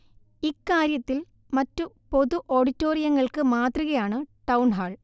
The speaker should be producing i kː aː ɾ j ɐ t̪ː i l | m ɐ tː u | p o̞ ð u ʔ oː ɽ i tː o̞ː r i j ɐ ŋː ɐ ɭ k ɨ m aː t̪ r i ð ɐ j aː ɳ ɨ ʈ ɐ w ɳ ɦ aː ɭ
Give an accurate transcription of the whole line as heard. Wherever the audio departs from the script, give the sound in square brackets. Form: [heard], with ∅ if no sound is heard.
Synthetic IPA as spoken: i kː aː ɾ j ɐ t̪ː i l | m ɐ tː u | p o̞ ð u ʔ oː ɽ i tː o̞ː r i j ɐ ŋː ɐ ɭ k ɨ m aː t̪ r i [ɣ] ɐ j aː ɳ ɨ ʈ ɐ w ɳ ɦ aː ɭ